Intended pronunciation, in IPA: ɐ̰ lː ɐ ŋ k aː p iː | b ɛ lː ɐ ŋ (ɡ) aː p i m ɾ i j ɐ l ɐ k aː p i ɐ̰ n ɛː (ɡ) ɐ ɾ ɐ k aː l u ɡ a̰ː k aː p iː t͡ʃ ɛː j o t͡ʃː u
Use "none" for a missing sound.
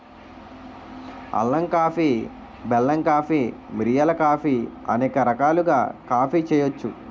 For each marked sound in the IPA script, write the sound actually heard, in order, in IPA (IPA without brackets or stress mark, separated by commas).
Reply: k, k